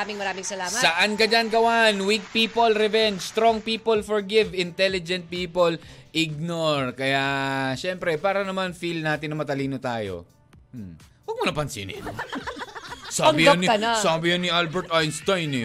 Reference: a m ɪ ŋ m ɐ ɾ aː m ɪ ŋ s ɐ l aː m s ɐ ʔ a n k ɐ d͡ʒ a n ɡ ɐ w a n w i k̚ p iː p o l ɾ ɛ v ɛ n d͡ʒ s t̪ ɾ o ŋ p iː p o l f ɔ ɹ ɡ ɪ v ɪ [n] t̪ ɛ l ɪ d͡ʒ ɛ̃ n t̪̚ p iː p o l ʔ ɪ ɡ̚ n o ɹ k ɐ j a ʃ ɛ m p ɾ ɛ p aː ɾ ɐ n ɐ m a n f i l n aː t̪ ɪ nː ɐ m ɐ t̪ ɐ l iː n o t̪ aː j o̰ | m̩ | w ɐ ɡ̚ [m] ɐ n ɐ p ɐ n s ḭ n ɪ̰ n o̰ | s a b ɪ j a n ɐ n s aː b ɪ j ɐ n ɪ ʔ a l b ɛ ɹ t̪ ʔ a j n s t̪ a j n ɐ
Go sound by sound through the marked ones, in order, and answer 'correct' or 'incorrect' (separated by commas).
correct, correct